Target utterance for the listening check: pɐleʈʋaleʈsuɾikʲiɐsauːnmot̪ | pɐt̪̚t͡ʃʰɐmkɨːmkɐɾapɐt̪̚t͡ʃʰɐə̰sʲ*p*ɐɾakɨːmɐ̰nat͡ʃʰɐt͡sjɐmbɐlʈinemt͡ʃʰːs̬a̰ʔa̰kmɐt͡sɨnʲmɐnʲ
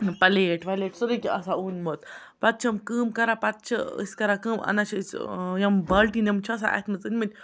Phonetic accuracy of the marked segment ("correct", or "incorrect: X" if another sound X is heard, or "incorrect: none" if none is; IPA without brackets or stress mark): incorrect: k